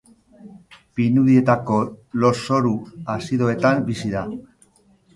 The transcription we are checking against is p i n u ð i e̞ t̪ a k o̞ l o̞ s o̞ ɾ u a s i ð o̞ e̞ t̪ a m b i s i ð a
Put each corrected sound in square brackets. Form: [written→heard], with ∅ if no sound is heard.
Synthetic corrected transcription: p i n u ð i e̞ t̪ a k o̞ l o̞ s o̞ ɾ u a s i ð o̞ e̞ t̪ a m b i s i ð a